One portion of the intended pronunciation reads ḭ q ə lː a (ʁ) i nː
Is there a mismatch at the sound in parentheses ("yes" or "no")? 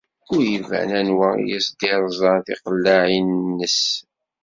yes